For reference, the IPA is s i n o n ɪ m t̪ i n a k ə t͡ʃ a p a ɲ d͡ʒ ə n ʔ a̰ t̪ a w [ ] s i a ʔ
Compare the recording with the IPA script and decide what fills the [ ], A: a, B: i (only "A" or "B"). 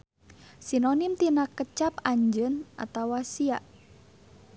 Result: A